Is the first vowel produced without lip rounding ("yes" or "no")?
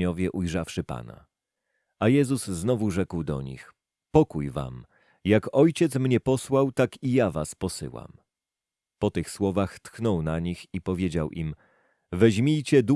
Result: no